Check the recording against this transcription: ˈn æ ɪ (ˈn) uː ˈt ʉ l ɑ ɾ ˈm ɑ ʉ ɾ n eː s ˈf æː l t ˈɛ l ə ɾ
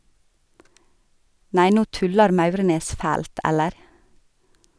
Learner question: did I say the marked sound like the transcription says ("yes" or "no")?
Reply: yes